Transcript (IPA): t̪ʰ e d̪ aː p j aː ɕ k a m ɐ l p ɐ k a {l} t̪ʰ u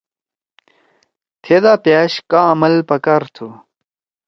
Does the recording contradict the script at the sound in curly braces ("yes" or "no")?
yes